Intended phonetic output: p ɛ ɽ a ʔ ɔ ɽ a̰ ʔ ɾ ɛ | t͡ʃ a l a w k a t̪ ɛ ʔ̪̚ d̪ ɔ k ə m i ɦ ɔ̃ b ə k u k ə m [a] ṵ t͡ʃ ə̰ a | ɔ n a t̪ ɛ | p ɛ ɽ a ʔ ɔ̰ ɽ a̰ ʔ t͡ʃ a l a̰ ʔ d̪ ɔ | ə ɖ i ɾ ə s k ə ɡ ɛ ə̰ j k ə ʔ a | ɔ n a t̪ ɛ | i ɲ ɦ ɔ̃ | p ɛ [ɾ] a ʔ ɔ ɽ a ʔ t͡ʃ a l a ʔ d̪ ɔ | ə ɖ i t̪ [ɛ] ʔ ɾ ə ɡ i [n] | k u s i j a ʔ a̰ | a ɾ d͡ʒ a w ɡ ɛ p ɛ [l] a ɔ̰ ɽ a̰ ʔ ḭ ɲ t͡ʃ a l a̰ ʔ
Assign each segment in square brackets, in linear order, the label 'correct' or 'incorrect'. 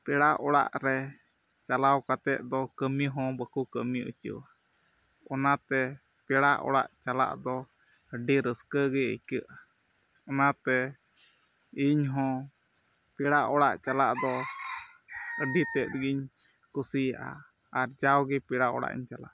incorrect: i, incorrect: ɽ, correct, incorrect: ɲ, incorrect: ɽ

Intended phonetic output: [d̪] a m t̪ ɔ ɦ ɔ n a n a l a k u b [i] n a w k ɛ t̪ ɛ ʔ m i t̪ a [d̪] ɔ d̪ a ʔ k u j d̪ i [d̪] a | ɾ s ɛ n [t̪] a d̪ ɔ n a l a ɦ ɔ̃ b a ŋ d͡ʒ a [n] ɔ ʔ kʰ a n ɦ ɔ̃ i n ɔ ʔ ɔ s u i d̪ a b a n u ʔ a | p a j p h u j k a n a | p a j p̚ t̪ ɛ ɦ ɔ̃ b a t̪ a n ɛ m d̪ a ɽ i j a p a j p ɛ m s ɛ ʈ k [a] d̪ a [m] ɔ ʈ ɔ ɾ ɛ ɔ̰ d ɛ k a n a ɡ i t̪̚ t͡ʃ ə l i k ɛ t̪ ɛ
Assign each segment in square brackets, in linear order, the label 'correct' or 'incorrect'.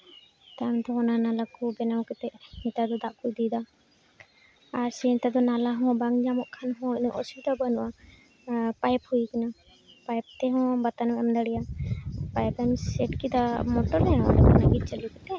incorrect: t̪, incorrect: ɛ, correct, correct, correct, incorrect: m, incorrect: i, correct

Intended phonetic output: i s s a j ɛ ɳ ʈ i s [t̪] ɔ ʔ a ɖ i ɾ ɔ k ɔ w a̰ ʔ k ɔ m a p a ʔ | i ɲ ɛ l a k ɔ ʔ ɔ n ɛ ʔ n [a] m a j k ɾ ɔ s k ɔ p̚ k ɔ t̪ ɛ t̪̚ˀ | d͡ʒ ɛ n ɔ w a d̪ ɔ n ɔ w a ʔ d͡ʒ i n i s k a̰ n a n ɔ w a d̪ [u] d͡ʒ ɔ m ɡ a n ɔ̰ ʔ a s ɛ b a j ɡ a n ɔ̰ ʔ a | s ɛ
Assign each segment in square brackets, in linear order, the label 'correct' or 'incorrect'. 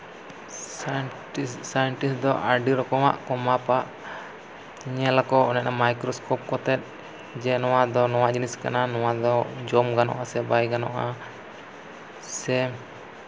incorrect: d̪, correct, incorrect: ɔ

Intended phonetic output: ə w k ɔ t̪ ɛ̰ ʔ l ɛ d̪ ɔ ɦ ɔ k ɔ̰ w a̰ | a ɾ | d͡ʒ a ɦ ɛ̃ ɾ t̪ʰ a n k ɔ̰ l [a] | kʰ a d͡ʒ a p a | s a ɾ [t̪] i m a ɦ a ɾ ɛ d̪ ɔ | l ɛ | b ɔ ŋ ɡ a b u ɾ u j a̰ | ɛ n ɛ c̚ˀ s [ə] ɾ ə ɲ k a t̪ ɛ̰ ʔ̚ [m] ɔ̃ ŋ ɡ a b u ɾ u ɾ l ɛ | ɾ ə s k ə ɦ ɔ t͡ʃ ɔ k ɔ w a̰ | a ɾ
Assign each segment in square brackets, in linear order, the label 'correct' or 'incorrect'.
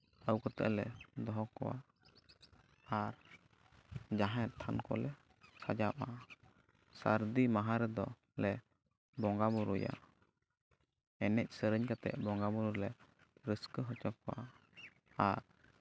incorrect: ɛ, incorrect: d̪, correct, incorrect: b

